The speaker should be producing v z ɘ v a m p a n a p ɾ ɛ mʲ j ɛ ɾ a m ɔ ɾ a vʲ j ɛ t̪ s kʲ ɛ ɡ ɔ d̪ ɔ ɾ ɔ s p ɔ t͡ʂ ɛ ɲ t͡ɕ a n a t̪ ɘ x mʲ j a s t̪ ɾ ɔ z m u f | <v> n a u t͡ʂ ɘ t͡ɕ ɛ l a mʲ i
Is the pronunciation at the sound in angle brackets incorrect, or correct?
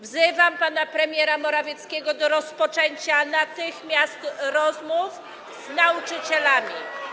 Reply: incorrect